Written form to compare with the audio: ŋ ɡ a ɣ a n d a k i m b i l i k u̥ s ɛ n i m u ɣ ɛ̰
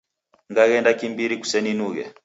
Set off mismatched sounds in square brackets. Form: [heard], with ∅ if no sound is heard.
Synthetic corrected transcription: ŋ ɡ a ɣ [ɛ] n d a k i m b i [ɾ] i k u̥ s ɛ n i [n] u ɣ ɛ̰